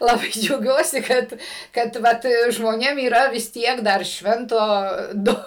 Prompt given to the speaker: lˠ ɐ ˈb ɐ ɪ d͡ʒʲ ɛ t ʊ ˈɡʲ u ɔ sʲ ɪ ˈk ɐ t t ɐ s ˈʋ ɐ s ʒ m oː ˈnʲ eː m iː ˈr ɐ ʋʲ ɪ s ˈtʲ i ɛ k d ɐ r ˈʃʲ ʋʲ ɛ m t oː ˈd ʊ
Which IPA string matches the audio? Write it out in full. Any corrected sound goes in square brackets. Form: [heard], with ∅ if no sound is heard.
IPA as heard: lˠ ɐ ˈb ɐ ɪ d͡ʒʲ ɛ [∅] ʊ ˈɡʲ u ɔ sʲ ɪ ˈk ɐ t [k] ɐ [t] ˈʋ ɐ [t] ʒ m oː ˈnʲ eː m iː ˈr ɐ ʋʲ ɪ s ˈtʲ i ɛ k d ɐ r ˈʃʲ ʋʲ ɛ [n] t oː ˈd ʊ